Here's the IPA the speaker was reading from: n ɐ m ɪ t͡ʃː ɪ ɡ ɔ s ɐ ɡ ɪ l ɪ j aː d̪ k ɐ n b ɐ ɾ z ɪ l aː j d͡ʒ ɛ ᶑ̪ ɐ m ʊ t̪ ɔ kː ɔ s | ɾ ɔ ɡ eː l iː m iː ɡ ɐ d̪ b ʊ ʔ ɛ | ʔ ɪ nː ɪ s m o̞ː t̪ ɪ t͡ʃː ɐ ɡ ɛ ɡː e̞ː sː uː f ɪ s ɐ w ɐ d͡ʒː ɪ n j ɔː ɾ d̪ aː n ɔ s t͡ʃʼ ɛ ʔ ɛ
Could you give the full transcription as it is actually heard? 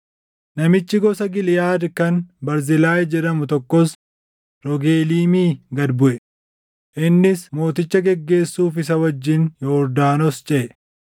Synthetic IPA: n ɐ m ɪ t͡ʃː ɪ ɡ ɔ s ɐ ɡ ɪ l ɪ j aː d̪ k ɐ n b ɐ ɾ z ɪ l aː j d͡ʒ ɛ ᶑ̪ ɐ m ʊ t̪ ɔ kː ɔ s | ɾ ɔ ɡ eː l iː m iː ɡ ɐ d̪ b ʊ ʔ ɛ | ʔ ɪ nː ɪ s m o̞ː t̪ ɪ t͡ʃː ɐ ɡ ɛ ɡː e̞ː sː uː f ɪ s ɐ w ɐ d͡ʒː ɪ n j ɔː ɾ d̪ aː n ɔ s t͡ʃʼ ɛ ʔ ɛ